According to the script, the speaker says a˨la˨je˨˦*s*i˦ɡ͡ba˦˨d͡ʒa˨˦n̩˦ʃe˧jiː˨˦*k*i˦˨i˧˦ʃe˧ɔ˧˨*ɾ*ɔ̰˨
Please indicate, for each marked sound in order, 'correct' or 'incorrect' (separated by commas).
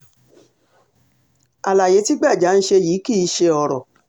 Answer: incorrect, correct, correct